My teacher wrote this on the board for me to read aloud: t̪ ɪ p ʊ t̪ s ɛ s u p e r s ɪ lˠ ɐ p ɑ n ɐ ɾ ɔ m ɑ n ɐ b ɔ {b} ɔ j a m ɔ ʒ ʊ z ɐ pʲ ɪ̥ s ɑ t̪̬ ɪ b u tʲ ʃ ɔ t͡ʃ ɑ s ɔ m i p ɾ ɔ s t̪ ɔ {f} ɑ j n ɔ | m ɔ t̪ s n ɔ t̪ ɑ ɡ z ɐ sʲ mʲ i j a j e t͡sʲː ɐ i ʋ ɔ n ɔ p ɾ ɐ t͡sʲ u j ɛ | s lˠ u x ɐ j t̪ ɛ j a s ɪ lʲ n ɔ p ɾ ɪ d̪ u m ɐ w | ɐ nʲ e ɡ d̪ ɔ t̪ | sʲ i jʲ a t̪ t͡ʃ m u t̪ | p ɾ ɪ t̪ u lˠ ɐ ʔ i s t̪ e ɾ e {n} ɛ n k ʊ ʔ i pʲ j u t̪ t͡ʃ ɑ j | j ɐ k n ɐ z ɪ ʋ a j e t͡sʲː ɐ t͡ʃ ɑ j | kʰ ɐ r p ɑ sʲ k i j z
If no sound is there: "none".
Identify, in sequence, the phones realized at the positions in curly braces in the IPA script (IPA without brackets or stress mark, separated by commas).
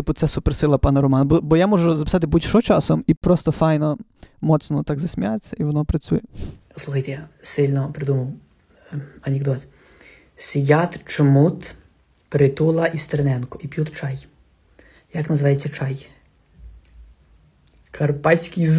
b, f, n